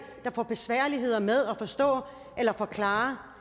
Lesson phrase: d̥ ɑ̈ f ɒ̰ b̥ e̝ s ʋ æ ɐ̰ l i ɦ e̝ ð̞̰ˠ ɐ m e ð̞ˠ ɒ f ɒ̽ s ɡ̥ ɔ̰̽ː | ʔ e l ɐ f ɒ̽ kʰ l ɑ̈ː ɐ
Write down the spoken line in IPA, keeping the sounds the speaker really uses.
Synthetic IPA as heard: d̥ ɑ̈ f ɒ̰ b̥ e̝ s ʋ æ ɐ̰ l i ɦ e̝ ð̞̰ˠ ɐ m e ð̞ˠ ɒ f ɒ̽ s d̥ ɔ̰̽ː | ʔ e l ɐ f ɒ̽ kʰ l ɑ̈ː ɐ